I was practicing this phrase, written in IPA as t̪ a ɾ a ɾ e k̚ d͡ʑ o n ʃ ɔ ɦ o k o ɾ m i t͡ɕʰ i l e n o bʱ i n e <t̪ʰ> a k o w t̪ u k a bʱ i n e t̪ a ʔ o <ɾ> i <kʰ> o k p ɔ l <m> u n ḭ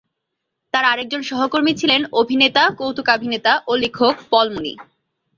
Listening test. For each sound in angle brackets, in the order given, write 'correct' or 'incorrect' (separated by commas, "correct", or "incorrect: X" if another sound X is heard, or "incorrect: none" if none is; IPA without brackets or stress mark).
incorrect: t̪, incorrect: l, correct, correct